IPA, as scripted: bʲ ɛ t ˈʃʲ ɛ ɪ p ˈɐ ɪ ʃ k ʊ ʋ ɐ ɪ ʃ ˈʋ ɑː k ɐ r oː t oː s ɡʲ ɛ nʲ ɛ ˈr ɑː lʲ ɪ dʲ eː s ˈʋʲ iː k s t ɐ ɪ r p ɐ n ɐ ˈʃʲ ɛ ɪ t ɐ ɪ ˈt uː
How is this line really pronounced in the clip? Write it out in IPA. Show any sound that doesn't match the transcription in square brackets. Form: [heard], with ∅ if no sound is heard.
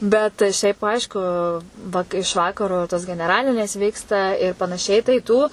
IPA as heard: bʲ ɛ t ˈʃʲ ɛ ɪ p ˈɐ ɪ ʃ k ʊ ʋ ɐ ɪ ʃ ˈʋ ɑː k ɐ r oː t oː s ɡʲ ɛ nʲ ɛ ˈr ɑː lʲ ɪ [nʲ] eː s ˈʋʲ iː k s t ɐ ɪ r p ɐ n ɐ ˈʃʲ ɛ ɪ t ɐ ɪ ˈt uː